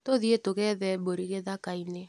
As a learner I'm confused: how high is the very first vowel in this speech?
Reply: mid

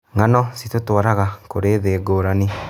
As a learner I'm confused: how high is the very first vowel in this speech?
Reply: low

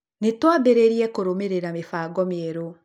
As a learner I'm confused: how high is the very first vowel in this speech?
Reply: mid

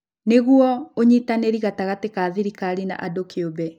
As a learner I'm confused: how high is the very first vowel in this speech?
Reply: mid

